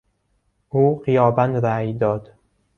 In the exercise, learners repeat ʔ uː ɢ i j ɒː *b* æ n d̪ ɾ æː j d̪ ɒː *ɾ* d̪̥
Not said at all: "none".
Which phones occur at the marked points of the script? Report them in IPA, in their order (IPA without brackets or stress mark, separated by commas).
b, none